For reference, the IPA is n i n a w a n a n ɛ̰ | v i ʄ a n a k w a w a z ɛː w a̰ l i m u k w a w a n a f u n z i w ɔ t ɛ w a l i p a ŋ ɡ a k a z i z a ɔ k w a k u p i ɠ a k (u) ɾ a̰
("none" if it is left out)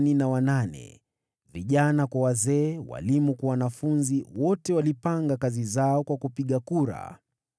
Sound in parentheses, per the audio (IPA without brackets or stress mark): u